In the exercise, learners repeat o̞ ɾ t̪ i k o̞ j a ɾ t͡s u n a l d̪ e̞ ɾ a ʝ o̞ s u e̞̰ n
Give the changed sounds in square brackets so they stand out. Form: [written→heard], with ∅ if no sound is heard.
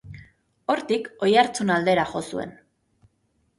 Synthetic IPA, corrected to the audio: o̞ ɾ t̪ i k o̞ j a ɾ t͡s u n a l d̪ e̞ ɾ a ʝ o̞ s u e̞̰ n